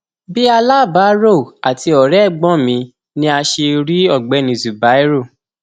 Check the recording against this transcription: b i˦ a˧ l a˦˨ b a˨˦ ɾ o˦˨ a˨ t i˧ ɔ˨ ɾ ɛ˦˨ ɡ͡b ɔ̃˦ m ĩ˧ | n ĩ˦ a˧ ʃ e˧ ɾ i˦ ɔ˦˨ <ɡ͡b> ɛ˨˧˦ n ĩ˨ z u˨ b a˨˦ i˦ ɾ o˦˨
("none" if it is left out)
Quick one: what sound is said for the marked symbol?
ɡ͡b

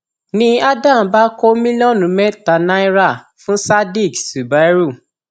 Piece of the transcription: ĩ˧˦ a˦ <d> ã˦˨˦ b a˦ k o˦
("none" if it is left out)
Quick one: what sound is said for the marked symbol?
d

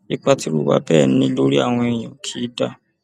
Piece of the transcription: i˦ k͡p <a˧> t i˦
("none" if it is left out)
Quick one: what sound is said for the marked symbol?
a˧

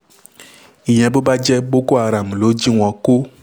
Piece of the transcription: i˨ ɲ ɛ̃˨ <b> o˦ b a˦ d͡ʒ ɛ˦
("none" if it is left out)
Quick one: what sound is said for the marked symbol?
b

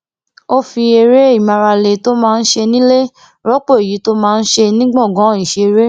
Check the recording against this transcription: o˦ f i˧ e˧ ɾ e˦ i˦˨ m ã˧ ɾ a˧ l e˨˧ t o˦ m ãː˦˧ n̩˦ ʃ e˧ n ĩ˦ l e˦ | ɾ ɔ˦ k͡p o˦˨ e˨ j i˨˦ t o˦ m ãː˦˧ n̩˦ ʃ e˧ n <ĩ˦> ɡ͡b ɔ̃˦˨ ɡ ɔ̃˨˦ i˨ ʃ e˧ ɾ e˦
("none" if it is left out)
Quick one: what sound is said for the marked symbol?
ĩ˦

